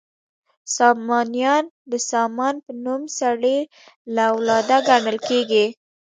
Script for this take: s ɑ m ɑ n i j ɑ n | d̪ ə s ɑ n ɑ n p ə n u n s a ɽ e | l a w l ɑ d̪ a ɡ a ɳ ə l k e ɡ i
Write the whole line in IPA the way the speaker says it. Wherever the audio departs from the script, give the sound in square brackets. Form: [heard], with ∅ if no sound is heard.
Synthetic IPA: s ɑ m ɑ n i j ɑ n | d̪ ə s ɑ [m] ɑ n p ə n u [m] s a ɽ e | l a w l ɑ d̪ a ɡ a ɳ ə l k e ɡ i